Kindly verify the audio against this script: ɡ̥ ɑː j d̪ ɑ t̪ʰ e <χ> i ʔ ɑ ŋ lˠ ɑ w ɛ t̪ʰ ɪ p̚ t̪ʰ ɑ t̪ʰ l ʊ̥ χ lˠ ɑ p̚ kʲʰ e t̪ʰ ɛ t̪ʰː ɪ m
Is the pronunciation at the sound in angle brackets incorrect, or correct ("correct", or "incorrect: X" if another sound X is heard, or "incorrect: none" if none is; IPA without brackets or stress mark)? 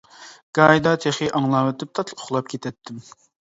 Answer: correct